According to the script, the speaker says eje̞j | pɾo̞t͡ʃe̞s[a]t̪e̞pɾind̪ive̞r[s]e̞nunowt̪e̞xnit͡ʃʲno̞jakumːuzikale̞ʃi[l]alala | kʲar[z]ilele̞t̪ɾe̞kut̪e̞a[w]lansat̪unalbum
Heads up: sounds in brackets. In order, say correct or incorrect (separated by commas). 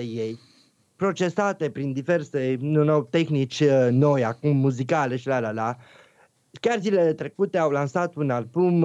correct, correct, correct, correct, correct